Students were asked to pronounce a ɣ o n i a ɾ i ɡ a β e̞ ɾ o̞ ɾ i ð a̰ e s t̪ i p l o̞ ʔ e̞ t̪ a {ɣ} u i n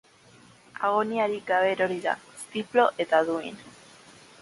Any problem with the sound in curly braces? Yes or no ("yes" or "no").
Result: yes